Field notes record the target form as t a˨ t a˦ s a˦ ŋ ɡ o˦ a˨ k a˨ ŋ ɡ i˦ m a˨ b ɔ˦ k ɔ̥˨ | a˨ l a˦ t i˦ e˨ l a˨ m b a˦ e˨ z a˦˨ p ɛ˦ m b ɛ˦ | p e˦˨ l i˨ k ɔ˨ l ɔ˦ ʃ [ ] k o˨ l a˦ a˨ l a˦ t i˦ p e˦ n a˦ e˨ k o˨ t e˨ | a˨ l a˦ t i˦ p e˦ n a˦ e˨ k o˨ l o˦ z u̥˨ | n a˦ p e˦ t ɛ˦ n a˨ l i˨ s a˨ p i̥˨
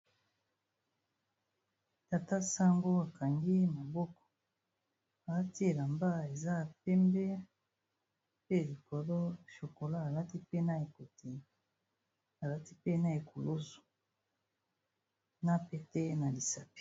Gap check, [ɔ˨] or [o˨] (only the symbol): o˨